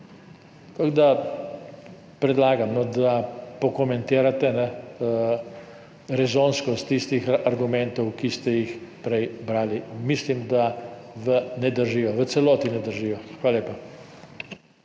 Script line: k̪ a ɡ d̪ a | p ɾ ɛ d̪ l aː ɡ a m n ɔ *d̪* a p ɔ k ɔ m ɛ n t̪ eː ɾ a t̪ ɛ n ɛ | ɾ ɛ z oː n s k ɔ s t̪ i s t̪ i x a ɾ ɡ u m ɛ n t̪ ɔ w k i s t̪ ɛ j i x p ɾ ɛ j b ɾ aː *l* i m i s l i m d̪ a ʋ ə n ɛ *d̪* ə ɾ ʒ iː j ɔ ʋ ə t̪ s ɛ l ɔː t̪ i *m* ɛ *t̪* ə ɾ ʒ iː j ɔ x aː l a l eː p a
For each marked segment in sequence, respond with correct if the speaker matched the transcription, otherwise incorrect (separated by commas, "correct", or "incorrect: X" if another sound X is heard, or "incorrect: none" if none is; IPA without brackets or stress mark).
correct, correct, correct, incorrect: n, incorrect: d̪